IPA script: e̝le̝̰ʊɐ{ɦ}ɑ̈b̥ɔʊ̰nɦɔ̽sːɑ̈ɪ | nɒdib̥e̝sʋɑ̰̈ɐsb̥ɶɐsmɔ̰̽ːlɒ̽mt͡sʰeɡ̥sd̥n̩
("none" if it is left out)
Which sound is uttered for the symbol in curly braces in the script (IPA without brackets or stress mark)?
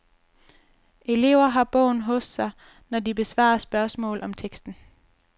ɦ